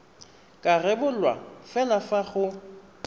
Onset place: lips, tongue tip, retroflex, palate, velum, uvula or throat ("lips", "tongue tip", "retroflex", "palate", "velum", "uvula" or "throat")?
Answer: velum